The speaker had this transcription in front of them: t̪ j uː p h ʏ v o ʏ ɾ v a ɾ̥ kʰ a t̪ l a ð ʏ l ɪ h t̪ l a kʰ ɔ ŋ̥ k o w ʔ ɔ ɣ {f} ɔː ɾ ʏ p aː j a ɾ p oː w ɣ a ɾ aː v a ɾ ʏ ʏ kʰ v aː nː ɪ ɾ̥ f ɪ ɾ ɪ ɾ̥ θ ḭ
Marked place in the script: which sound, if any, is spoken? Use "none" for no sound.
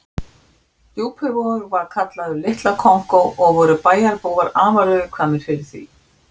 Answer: v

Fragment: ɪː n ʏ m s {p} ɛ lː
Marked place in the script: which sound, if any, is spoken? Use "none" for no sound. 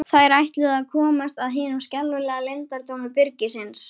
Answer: c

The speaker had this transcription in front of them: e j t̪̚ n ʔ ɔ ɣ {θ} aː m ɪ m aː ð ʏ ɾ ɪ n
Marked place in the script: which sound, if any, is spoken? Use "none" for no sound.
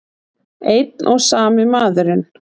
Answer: s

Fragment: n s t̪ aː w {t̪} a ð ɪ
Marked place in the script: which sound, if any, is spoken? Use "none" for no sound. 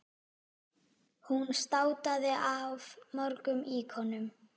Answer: t̪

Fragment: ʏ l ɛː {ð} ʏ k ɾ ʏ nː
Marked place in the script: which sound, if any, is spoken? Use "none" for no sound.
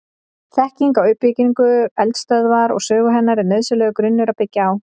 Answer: ɣ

